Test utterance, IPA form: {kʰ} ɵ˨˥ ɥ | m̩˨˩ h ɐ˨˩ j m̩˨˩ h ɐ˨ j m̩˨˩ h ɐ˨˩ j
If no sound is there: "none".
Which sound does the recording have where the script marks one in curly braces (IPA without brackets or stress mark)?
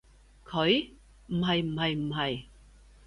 kʰ